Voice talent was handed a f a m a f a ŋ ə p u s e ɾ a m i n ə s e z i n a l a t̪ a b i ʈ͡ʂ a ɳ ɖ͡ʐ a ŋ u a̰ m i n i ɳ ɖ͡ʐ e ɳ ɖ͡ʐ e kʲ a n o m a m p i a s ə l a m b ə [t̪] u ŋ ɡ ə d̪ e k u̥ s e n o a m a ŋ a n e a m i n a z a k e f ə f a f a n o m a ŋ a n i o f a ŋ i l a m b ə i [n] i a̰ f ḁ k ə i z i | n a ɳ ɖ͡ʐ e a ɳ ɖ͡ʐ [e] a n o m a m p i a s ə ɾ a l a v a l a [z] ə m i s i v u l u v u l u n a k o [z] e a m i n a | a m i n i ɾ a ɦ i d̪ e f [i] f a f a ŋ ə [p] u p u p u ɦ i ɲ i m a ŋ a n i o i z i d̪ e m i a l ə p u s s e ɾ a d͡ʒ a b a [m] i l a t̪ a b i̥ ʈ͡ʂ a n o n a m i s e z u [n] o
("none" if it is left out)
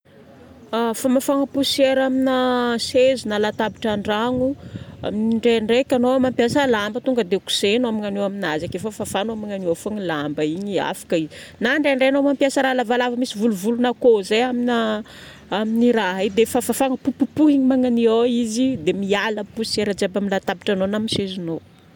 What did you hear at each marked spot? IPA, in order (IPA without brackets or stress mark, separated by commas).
t̪, ɲ, e, v, z, a, p, m, n